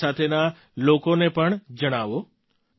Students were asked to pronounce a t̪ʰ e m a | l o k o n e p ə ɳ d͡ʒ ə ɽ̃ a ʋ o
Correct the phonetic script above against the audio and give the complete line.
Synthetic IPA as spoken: a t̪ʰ e n a | l o k o n e p ə ɳ d͡ʒ ə ɽ̃ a ʋ o